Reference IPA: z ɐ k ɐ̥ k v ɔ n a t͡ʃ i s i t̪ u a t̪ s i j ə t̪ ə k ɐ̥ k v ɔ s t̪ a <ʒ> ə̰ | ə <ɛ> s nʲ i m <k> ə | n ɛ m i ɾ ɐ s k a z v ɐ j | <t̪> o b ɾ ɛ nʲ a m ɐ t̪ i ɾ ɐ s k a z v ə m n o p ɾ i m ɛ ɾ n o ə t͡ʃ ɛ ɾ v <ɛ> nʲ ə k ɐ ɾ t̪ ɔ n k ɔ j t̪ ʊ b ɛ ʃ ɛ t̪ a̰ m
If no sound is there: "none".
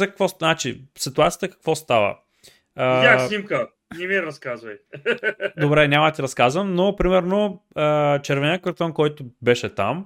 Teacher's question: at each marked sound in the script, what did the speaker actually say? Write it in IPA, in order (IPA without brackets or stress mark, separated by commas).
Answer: v, a, k, d̪, ɛ